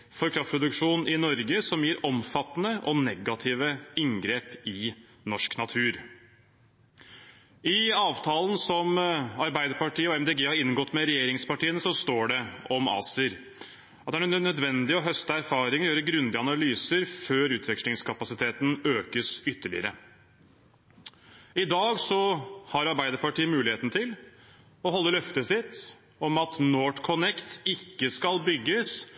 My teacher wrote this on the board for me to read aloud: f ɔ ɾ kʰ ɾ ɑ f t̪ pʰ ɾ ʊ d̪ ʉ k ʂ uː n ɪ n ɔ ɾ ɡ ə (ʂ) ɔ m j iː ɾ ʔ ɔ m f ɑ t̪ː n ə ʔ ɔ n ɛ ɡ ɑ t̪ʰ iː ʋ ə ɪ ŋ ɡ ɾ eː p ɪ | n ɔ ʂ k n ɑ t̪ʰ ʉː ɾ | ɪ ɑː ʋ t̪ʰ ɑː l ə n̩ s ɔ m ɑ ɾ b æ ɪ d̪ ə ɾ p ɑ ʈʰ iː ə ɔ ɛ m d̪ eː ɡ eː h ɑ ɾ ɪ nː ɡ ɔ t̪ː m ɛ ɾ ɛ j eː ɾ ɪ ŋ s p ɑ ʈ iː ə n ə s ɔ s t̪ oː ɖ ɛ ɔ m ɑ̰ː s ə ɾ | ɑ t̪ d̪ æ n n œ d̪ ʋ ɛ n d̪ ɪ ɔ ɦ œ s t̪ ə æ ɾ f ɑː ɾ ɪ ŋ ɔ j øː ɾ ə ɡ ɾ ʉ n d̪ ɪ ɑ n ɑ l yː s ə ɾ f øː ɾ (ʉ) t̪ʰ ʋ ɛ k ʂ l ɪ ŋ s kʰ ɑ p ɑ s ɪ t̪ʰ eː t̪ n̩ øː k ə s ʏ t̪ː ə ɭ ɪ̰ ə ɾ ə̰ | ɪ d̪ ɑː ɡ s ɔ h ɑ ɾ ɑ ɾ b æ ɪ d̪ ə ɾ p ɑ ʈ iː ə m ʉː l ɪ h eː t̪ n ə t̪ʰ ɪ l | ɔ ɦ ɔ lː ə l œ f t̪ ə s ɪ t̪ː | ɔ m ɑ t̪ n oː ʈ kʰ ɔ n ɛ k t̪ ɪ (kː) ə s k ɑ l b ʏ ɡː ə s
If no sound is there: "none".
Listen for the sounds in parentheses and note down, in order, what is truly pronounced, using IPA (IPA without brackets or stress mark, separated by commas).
s, ʉː, kː